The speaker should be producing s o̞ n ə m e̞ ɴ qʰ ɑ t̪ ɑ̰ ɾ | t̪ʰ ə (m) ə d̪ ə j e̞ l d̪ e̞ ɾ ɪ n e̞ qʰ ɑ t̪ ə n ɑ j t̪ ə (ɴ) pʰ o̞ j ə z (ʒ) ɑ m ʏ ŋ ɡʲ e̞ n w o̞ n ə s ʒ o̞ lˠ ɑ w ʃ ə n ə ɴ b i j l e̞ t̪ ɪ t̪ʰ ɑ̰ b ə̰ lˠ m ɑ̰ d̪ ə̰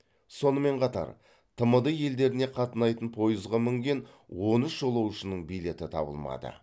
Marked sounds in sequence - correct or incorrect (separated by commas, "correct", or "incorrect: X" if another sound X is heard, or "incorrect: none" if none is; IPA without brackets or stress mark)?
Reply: correct, incorrect: n, incorrect: ʁ